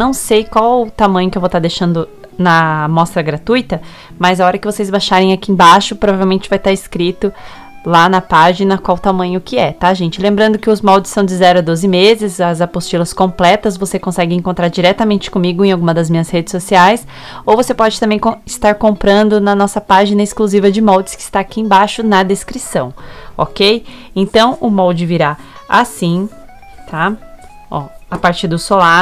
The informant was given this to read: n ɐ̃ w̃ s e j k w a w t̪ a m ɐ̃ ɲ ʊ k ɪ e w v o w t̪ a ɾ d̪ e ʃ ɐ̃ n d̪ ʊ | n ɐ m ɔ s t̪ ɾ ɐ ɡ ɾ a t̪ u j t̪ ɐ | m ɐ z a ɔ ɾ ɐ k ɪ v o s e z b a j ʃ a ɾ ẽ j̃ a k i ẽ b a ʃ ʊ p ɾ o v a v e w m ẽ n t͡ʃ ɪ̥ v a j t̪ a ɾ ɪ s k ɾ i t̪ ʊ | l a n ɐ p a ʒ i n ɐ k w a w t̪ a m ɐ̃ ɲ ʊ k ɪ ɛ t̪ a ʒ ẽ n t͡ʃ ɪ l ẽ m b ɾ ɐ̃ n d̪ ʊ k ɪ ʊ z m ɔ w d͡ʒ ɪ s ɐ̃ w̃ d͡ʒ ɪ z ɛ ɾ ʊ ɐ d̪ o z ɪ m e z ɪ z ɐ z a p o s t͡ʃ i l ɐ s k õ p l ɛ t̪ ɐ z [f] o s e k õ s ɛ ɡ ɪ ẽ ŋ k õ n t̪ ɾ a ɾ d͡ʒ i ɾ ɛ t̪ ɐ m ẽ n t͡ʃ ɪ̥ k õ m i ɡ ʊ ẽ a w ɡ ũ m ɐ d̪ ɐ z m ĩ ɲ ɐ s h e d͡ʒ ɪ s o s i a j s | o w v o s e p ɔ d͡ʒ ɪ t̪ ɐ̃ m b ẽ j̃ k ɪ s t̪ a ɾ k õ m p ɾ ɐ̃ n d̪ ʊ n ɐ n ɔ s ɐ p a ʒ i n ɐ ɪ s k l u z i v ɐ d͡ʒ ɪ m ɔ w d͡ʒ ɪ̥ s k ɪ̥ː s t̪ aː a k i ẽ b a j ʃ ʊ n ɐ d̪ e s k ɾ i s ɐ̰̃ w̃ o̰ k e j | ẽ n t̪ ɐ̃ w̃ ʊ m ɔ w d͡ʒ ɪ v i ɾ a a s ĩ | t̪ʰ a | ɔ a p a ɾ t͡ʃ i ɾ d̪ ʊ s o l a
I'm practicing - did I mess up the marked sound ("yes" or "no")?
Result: yes